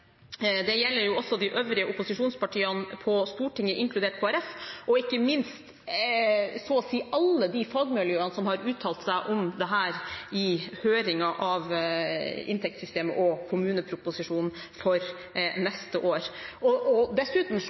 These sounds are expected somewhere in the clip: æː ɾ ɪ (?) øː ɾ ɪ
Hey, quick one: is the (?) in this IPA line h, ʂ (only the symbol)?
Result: h